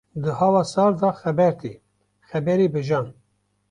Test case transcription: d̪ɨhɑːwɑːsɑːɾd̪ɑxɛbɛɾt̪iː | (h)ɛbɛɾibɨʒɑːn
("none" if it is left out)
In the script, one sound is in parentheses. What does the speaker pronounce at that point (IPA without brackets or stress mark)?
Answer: x